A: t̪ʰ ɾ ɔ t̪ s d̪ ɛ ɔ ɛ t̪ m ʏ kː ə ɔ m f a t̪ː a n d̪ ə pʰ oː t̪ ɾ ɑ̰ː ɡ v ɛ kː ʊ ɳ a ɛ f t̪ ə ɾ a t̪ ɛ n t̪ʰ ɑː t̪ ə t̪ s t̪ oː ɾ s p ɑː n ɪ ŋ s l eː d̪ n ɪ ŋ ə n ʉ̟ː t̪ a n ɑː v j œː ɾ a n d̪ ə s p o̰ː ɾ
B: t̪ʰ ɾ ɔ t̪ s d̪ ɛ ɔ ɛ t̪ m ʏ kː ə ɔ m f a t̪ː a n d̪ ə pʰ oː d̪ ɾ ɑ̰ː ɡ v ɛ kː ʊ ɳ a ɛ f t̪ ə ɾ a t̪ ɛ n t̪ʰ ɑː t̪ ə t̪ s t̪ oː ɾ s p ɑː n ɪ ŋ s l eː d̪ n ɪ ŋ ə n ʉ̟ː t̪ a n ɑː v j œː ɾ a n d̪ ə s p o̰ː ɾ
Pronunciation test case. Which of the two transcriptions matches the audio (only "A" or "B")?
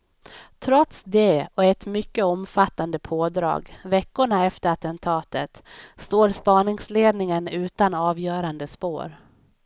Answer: B